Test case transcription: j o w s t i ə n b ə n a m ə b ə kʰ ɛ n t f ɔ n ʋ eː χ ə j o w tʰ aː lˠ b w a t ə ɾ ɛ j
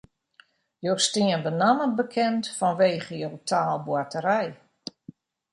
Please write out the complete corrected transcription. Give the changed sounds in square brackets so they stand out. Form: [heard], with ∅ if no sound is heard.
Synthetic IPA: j o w s t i ə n b ə n a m ə b ə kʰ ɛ n t f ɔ n ʋ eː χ ə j o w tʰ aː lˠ b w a t ə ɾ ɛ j